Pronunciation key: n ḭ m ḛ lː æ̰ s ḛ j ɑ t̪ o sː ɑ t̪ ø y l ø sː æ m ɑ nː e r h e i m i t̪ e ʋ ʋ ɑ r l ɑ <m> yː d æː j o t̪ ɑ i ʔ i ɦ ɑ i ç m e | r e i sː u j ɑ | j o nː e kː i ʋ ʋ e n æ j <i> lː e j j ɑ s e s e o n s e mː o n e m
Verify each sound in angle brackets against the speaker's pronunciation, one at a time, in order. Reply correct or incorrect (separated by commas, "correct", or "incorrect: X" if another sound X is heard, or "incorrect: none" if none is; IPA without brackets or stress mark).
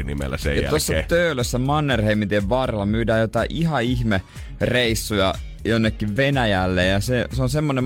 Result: correct, incorrect: æ